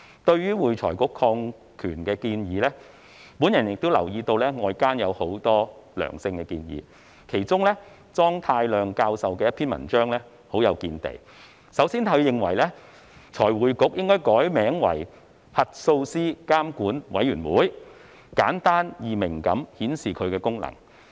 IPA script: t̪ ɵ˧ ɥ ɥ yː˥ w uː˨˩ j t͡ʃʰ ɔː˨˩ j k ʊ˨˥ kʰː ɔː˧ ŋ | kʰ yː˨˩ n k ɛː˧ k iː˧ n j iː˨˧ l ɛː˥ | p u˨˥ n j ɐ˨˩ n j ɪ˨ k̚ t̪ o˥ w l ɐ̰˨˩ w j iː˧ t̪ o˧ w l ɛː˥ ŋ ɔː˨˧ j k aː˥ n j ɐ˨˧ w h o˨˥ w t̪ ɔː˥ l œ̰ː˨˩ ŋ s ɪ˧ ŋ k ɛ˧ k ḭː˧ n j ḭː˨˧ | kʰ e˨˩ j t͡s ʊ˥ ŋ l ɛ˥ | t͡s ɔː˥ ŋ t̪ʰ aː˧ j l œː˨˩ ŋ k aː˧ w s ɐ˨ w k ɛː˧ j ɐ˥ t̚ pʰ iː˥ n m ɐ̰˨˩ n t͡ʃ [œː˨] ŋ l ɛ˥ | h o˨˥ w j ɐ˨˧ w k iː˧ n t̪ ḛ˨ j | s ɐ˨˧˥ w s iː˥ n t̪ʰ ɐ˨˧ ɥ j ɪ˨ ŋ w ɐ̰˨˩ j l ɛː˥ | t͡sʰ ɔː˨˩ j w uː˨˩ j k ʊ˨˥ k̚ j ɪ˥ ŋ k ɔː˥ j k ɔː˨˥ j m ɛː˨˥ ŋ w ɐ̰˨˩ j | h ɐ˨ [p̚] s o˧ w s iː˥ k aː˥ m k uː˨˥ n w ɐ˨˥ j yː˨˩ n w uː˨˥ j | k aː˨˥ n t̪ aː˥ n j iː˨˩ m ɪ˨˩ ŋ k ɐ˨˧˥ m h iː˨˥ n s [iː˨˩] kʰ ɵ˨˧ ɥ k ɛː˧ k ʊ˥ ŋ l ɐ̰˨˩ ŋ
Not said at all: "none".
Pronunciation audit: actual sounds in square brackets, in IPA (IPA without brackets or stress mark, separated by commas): œː˥, t̚, iː˨˩